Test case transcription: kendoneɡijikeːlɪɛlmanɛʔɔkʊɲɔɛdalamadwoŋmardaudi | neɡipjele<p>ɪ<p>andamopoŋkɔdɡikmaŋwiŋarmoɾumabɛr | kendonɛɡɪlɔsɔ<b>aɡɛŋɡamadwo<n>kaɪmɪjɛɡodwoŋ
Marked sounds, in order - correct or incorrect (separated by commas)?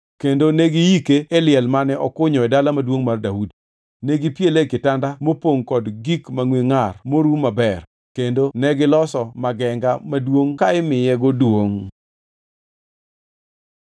incorrect, incorrect, incorrect, incorrect